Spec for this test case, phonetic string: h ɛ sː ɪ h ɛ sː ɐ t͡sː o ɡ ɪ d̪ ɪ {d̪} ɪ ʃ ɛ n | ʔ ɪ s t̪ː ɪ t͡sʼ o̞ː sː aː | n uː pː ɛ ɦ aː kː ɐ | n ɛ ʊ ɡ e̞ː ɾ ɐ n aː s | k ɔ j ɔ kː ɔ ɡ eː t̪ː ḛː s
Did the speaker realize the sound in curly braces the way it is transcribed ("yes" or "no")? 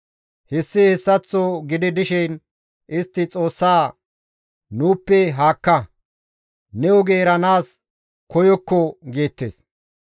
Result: yes